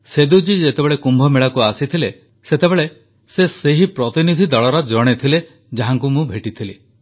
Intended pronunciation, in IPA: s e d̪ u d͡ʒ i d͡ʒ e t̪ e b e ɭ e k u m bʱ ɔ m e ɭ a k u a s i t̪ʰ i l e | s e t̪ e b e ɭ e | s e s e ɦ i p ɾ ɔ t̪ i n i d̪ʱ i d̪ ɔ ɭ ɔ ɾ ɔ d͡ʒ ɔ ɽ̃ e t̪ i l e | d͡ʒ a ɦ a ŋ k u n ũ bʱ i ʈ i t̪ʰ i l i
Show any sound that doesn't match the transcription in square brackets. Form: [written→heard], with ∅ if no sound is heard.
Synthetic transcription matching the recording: s e d̪ u d͡ʒ i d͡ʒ e t̪ e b e ɭ e k u m bʱ ɔ m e ɭ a k u a s i t̪ʰ i l e | s e t̪ e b e ɭ e | s e s e ɦ i p ɾ ɔ t̪ i n i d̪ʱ i d̪ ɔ ɭ ɔ ɾ ɔ d͡ʒ ɔ ɽ̃ e [t̪→t̪ʰ] i l e | d͡ʒ a ɦ a ŋ k u [n→m] ũ bʱ [i→e] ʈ i t̪ʰ i l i